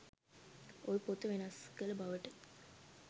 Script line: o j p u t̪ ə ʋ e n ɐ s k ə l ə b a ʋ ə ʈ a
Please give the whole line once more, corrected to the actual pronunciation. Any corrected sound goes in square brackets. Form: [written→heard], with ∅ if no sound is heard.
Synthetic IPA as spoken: o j p [u→o] t̪ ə ʋ e n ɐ s k ə l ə b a ʋ ə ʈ [a→ə]